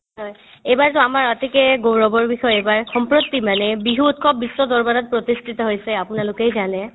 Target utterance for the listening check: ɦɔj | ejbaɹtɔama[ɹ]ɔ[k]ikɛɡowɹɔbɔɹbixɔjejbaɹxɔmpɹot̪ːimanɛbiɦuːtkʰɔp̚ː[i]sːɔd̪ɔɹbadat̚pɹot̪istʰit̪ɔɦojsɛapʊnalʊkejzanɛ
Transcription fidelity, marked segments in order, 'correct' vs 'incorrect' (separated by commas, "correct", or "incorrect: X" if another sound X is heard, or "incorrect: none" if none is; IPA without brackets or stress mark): correct, incorrect: t, correct